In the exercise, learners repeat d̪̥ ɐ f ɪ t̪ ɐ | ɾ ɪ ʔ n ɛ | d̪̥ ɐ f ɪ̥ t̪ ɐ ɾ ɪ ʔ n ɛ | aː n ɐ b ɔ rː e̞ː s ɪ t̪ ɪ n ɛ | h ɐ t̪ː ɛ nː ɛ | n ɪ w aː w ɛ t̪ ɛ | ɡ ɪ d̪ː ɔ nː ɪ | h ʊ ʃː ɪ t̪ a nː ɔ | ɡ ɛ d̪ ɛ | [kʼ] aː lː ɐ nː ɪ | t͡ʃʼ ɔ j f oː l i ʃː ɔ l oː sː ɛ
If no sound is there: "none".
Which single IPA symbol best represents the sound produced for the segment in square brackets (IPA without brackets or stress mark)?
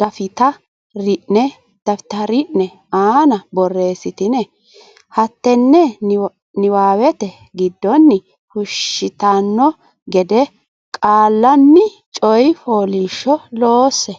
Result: kʼ